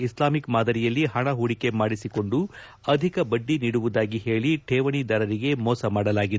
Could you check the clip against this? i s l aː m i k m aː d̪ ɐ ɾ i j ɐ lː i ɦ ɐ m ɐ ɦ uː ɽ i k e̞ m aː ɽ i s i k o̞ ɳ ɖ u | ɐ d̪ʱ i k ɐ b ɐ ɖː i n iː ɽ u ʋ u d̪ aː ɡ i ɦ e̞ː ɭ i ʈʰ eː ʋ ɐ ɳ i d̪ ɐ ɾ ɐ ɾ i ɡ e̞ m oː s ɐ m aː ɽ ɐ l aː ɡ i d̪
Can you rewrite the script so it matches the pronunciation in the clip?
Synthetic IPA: i s l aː m i k m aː d̪ ɐ ɾ i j ɐ lː i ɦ ɐ ɳ ɐ ɦ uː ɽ i k e̞ m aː ɽ i s i k o̞ ɳ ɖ u | ɐ d̪ʱ i k ɐ b ɐ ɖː i n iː ɽ u ʋ u d̪ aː ɡ i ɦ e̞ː ɭ i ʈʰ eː ʋ ɐ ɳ i d̪ ɐ ɾ ɐ ɾ i ɡ e̞ m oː s ɐ m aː ɽ ɐ l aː ɡ i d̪

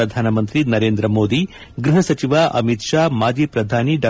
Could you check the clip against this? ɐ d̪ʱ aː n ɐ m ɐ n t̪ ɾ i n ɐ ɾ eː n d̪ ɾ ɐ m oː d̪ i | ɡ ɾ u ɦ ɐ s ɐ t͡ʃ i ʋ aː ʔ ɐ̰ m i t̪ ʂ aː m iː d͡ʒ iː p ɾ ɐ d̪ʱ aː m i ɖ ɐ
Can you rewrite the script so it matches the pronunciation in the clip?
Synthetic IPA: ɐ d̪ʱ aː n ɐ m ɐ n t̪ ɾ i n ɐ ɾ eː n d̪ ɾ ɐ m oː d̪ i | ɡ ɾ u ɦ ɐ s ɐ t͡ʃ i ʋ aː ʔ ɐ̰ m i t̪ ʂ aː m aː d͡ʒ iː p ɾ ɐ d̪ʱ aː n i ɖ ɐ

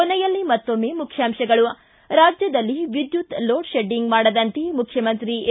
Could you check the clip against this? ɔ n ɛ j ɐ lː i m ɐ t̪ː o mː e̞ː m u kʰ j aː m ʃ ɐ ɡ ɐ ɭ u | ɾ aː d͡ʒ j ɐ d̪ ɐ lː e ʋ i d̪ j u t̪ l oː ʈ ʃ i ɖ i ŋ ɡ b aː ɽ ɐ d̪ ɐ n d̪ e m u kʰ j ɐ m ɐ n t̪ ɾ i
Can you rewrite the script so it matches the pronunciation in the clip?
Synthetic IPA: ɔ n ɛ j ɐ lː i m ɐ t̪ː o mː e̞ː m u kʰ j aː m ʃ ɐ ɡ ɐ ɭ u | ɾ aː d͡ʒ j ɐ d̪ ɐ lː i ʋ i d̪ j u t̪ l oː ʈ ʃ e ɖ i ŋ ɡ m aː ɽ ɐ d̪ ɐ n t̪ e m u kʰ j ɐ m ɐ n t̪ ɾ i

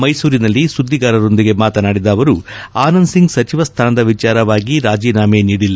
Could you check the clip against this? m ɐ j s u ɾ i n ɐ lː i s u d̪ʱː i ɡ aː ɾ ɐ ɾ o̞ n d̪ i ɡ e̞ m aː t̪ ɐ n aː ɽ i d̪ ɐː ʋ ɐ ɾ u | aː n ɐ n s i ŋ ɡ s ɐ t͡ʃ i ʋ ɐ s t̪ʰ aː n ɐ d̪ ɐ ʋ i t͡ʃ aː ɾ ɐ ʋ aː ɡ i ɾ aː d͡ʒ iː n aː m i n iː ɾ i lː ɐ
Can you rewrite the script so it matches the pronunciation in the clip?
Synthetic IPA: m ɐ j s uː ɾ i n ɐ lː i s u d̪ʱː i ɡ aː ɾ ɐ ɾ o̞ n d̪ i ɡ e̞ m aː t̪ ɐ n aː ɽ i d̪ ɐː ʋ ɐ ɾ u | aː n ɐ n s i ŋ ɡ s ɐ t͡ʃ i ʋ ɐ s t̪ʰ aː n ɐ d̪ ɐ ʋ i t͡ʃ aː ɾ ɐ ʋ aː ɡ i ɾ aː d͡ʒ iː n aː m e n iː ɽ i lː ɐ

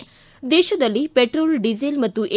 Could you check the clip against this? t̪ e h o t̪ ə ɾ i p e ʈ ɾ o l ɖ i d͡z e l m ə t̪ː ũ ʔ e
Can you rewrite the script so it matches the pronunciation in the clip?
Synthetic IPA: d̪ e ɕ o d̪ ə l i p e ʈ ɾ o l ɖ i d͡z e l m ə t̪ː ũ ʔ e

